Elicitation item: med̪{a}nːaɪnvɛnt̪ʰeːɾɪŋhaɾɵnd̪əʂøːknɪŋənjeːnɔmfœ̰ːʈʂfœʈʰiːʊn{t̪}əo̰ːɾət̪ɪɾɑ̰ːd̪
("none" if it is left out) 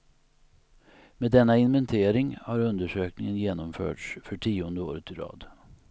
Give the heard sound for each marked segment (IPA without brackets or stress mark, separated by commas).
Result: ɛ, d̪